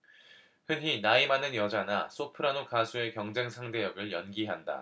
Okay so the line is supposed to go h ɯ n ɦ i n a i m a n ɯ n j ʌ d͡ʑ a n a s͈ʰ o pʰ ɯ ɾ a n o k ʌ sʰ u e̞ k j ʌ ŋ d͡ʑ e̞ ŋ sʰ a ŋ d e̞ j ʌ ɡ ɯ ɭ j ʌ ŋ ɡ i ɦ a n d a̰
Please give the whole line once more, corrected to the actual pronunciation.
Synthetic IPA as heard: h ɯ n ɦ i n a i m a n ɯ n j ʌ d͡ʑ a n a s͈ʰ o pʰ ɯ ɾ a n o k a sʰ u e̞ k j ʌ ŋ d͡ʑ e̞ ŋ sʰ a ŋ d e̞ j ʌ ɡ ɯ ɭ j ʌ n ɡ i ɦ a n d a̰